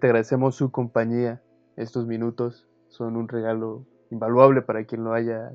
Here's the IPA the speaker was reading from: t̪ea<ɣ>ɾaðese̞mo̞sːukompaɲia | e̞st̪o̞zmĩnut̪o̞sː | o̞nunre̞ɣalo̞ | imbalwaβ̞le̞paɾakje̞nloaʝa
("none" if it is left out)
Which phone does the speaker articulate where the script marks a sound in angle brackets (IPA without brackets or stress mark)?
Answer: ɣ